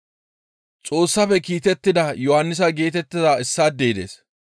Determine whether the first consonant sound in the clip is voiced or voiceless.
voiceless